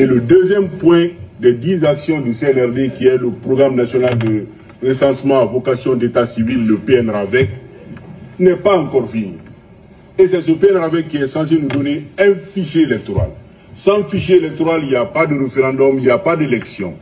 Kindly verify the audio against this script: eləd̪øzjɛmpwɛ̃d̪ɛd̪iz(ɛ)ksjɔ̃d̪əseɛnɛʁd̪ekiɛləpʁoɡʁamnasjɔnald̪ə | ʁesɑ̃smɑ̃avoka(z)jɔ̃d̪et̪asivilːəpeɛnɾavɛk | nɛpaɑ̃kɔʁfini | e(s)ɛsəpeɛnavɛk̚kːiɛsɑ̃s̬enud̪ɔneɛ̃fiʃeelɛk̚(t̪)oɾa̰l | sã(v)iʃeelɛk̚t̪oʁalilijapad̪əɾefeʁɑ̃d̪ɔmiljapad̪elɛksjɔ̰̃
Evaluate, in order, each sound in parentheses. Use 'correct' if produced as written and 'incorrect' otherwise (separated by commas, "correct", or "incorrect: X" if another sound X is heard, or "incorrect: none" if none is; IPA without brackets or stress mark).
incorrect: a, incorrect: s, correct, correct, incorrect: f